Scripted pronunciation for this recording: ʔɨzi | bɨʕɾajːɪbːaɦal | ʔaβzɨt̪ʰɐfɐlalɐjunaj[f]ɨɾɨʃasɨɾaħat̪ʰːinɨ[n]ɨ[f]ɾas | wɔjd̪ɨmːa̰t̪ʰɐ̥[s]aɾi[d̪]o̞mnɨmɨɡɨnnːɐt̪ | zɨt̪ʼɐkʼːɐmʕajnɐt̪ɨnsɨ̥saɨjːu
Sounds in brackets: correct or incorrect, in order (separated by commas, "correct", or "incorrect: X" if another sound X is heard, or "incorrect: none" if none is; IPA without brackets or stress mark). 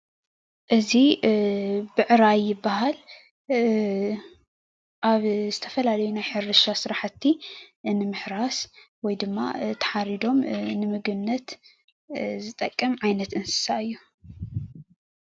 incorrect: ħ, incorrect: m, incorrect: ħ, incorrect: ħ, correct